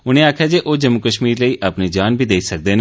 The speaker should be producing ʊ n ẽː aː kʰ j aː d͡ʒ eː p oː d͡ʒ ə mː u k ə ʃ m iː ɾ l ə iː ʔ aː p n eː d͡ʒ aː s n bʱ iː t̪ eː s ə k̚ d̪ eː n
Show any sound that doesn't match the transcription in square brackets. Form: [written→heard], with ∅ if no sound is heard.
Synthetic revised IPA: ʊ n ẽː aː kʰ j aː d͡ʒ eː [p→ʔ] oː d͡ʒ ə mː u k ə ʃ m iː ɾ l ə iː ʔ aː p n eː d͡ʒ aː [s→∅] n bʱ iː [t̪→d̪] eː s ə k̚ d̪ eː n